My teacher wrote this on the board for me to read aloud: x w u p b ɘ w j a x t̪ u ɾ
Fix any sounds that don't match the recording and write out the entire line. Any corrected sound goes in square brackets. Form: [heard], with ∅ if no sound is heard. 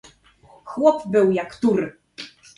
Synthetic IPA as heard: x w [ɔ] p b ɘ w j a [k] t̪ u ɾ